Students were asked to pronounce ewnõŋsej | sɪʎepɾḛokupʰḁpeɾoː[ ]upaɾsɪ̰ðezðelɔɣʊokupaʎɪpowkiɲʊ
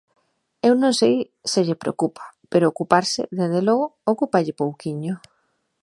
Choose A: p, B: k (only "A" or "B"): B